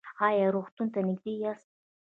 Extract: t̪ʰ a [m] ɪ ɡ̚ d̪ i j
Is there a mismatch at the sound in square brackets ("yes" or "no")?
yes